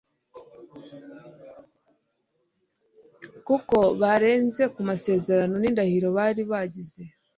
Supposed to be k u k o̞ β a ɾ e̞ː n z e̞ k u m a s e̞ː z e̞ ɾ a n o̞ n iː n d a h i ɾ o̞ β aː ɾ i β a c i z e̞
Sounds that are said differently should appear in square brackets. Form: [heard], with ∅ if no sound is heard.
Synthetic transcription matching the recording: k u k o̞ β a ɾ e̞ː n z e̞ k u m a s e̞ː z e̞ ɾ a n o̞ n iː n d a h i ɾ o̞ β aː ɾ i β a [ɟ] i z e̞